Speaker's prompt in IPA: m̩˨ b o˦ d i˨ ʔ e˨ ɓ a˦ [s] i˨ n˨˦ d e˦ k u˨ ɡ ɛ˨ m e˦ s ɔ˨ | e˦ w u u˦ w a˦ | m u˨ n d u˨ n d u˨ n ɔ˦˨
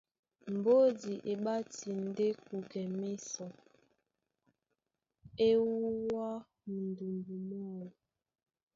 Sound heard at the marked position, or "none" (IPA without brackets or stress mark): t